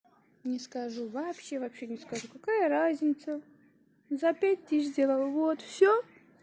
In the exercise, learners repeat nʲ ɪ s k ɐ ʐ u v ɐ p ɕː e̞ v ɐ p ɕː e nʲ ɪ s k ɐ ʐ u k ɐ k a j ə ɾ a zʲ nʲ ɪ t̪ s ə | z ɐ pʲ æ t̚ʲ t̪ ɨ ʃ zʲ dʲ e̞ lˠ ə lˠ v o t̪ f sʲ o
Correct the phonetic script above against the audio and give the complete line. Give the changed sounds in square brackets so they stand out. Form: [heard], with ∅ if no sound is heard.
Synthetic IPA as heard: nʲ ɪ s k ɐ ʐ u v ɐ p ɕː e̞ v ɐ p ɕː e nʲ ɪ s k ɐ ʐ u k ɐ k a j ə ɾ a zʲ nʲ ɪ t̪ s ə | z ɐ pʲ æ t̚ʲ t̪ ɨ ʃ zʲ dʲ e̞ lˠ ə lˠ v o t̪ f sʲ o